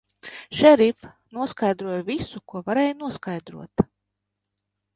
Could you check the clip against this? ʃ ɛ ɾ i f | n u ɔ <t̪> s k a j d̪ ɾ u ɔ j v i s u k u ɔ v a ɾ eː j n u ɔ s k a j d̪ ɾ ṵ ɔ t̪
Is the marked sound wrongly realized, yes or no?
yes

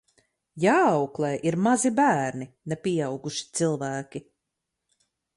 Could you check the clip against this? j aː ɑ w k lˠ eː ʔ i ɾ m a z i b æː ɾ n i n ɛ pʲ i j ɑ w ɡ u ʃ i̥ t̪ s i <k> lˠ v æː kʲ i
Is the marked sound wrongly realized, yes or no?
yes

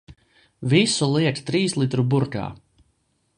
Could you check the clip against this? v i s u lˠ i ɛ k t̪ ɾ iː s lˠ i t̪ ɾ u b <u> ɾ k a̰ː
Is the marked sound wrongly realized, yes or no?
no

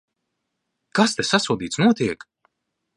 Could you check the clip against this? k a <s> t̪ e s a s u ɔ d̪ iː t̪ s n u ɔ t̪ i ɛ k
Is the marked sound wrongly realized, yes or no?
no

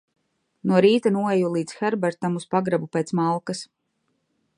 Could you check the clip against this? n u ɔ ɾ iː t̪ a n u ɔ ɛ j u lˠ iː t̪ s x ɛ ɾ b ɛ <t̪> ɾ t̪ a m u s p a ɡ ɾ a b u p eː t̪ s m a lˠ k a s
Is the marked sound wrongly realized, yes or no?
yes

